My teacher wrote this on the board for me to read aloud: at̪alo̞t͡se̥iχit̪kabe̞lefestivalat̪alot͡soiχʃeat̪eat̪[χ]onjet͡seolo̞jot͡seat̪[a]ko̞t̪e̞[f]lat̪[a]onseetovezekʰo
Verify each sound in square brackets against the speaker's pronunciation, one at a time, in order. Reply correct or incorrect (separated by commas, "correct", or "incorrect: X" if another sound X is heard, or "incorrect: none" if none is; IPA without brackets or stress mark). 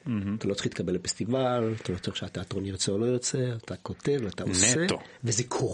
incorrect: ʁ, correct, incorrect: v, correct